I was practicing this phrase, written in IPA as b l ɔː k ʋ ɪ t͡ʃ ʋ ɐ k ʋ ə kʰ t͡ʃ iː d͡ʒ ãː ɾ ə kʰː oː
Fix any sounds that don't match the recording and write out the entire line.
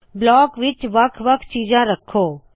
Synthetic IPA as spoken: b l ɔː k ʋ ɪ t͡ʃ ʋ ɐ kʰ ʋ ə kʰ t͡ʃ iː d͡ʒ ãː ɾ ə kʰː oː

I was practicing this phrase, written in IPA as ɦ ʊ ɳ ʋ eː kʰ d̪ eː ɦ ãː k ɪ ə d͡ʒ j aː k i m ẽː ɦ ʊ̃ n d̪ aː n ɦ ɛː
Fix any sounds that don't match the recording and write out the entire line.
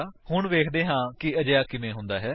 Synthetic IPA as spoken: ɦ ʊ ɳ ʋ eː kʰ d̪ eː ɦ ãː k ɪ ə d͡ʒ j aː k ɪ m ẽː ɦ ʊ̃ n d̪ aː ɦ ɛː

